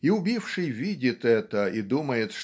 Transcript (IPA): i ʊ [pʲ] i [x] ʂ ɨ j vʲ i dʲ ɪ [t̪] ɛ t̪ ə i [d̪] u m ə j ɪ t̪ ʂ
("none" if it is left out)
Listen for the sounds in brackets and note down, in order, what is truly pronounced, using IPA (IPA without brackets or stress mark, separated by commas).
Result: bʲ, f, t̪, d̪